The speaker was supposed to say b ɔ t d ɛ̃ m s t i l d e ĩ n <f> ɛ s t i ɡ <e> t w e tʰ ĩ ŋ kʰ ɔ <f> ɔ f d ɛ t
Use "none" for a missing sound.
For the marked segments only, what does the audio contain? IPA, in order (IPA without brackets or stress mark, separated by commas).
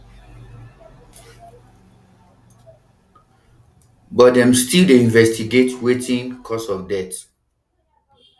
v, e, s